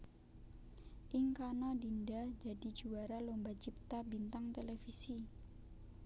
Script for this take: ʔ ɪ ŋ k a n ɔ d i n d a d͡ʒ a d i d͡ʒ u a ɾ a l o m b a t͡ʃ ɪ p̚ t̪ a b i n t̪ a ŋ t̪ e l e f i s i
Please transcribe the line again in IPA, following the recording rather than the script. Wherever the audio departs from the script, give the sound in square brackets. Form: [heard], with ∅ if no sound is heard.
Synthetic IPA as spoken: ʔ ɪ ŋ k a n ɔ d i n d a d͡ʒ a d i d͡ʒ u a ɾ a l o m b a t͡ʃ [i] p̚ t̪ a b i n t̪ a ŋ t̪ e l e f i s i